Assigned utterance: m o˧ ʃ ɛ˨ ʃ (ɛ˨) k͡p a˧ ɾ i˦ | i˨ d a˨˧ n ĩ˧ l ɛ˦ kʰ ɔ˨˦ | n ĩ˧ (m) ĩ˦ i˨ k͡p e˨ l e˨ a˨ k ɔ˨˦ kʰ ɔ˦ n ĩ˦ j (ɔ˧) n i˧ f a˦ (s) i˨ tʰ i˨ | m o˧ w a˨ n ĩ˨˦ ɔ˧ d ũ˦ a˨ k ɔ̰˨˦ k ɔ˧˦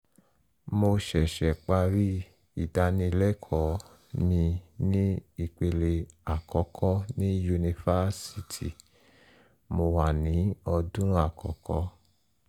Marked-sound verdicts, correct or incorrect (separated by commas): correct, incorrect, incorrect, correct